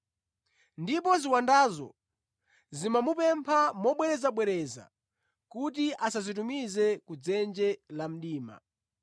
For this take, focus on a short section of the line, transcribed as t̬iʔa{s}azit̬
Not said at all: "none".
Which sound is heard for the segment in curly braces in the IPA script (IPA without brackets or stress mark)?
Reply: s